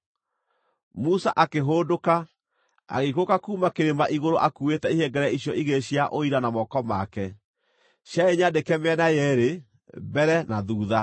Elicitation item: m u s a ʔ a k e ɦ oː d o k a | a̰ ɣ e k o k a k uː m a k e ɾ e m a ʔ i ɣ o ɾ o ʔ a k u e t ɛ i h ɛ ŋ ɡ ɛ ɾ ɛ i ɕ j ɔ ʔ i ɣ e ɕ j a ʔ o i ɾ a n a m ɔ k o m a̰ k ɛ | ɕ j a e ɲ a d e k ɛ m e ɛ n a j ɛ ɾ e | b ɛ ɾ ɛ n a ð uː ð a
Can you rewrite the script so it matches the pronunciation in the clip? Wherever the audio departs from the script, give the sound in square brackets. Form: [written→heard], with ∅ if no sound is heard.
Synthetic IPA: m u s a ʔ a k e ɦ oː d o k a | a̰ ɣ e k o k a k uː m a k e ɾ e m a ʔ i ɣ o ɾ o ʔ a k u e t ɛ i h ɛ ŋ ɡ ɛ ɾ ɛ i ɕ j ɔ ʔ i ɣ e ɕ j a ʔ o i ɾ a n a m ɔ k [o→ɔ] m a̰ k ɛ | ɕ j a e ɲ a d e k ɛ m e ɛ n a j ɛ ɾ e | b ɛ ɾ ɛ n a ð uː ð a